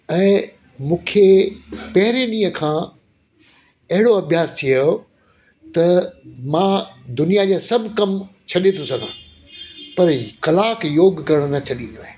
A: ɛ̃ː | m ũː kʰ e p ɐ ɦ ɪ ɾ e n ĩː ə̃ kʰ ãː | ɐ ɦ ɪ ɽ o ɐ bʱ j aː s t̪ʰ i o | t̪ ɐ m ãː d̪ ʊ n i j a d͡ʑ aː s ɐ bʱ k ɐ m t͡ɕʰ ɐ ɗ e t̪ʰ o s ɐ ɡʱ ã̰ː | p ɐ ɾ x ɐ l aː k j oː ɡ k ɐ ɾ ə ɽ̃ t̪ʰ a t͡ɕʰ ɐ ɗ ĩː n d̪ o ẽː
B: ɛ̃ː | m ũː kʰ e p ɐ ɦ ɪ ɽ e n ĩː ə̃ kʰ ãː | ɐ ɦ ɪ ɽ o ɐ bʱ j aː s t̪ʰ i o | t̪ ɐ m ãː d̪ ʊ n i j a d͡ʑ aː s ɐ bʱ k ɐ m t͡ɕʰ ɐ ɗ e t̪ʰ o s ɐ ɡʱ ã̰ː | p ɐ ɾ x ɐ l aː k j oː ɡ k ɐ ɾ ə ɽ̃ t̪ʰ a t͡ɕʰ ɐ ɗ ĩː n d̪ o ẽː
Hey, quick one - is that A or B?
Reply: A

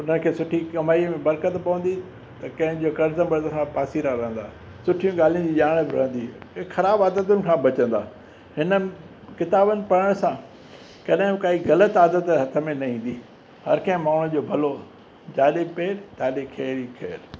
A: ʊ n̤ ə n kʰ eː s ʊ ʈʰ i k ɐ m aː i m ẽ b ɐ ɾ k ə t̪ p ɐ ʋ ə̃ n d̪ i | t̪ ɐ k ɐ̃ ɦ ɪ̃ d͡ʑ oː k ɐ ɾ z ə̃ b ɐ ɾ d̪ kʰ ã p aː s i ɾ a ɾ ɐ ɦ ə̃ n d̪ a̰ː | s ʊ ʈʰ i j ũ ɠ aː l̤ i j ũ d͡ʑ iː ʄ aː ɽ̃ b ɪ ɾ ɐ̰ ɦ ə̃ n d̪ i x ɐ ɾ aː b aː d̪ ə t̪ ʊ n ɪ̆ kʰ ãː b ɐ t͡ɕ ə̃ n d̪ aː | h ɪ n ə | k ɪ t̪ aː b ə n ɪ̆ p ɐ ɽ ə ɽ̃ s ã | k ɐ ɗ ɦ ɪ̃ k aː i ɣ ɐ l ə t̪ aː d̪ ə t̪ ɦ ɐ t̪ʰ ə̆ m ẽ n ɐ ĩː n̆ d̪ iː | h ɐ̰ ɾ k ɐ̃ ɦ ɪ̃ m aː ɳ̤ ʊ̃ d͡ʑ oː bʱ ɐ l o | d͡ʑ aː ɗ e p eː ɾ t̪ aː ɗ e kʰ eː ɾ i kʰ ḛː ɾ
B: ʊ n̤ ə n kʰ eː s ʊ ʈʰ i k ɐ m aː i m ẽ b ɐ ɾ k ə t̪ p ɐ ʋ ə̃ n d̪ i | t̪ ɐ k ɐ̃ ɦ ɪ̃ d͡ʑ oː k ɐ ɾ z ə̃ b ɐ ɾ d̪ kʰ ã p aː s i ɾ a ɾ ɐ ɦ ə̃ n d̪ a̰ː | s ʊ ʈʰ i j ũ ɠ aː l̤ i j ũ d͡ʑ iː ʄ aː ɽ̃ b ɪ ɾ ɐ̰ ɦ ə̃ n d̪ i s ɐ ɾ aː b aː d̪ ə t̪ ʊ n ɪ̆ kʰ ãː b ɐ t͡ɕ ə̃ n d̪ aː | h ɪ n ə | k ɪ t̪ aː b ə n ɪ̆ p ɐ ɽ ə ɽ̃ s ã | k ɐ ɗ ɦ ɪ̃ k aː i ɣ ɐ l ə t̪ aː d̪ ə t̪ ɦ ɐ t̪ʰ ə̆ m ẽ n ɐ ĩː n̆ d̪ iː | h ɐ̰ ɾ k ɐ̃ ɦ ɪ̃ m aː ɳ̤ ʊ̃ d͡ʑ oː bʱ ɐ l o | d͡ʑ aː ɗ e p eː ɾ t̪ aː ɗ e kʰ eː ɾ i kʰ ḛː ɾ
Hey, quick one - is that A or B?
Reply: A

